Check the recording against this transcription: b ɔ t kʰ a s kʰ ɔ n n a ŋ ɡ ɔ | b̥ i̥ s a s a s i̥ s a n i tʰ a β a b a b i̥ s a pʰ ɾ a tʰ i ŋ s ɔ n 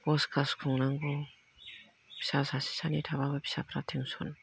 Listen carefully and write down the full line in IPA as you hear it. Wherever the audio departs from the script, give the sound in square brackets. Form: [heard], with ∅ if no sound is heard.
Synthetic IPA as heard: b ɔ [s] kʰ a s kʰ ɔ [ŋ] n a ŋ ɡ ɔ | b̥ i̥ s a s a s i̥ s a n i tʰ a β a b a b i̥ s a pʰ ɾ a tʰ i ŋ s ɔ n